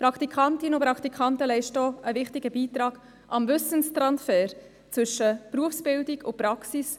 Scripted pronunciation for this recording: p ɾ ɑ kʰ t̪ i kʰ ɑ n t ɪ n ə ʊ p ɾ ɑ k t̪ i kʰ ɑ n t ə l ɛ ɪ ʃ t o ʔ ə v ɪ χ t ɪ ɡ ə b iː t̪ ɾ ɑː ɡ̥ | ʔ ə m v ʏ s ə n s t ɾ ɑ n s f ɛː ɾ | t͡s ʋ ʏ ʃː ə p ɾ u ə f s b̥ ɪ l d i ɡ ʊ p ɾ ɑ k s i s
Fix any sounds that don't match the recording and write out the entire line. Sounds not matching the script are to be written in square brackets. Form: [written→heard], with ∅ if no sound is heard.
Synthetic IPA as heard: p ɾ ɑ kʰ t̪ i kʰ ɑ n t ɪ n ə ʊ p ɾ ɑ k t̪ i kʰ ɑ n t ə l ɛ ɪ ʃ t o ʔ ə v ɪ χ t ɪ ɡ ə b iː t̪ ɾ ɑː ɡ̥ | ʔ [ə→ɑ] m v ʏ s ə n s t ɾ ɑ n s f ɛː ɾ | t͡s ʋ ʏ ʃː ə p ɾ u ə f s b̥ ɪ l d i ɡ ʊ p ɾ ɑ k s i s